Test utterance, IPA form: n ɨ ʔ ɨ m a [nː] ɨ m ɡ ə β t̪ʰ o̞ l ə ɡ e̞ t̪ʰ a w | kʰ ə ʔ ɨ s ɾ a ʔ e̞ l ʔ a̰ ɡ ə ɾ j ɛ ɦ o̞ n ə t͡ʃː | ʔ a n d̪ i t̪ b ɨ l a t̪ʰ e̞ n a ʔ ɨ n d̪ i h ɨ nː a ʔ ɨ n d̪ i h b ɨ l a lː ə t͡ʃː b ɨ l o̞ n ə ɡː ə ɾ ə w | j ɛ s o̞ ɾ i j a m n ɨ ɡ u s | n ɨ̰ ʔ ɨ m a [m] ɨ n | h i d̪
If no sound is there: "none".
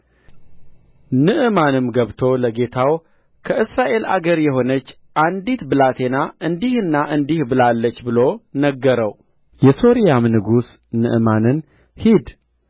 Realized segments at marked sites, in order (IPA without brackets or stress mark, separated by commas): n, n